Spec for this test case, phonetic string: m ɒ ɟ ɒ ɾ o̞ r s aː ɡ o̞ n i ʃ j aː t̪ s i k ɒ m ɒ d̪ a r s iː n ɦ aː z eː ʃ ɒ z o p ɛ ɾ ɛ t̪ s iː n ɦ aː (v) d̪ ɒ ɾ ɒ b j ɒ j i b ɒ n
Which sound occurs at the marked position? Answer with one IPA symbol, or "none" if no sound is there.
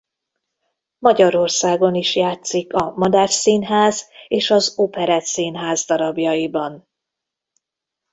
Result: z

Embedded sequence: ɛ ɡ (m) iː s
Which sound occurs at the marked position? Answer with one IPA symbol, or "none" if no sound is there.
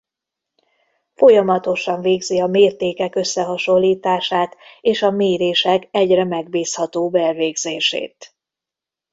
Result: b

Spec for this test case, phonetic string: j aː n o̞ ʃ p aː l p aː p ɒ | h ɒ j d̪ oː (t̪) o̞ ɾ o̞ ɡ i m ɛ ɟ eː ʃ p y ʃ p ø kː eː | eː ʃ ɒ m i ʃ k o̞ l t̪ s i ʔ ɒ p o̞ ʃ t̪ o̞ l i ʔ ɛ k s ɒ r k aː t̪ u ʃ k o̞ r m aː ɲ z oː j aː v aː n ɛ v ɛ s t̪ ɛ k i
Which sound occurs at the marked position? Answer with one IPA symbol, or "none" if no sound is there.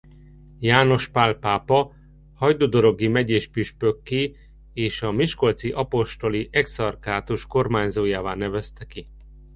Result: d̪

